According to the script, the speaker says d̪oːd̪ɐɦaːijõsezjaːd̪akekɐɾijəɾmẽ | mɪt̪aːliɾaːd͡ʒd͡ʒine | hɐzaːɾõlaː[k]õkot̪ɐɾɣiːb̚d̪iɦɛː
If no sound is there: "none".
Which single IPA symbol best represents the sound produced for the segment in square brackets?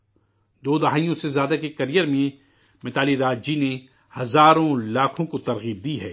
kʰ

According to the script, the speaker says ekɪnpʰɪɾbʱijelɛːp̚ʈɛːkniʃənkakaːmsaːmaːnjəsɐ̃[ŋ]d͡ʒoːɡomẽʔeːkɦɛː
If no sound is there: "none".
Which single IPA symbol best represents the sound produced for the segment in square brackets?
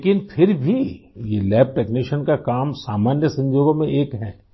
ɲ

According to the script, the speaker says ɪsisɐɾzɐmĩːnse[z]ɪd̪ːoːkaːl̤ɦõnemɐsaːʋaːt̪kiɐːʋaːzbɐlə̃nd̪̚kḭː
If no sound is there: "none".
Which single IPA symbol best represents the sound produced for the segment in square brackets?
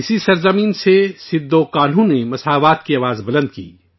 s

